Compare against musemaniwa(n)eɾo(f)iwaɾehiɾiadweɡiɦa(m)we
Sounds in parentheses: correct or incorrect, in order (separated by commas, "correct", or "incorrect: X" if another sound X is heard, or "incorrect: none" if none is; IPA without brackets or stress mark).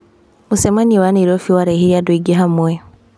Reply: correct, correct, correct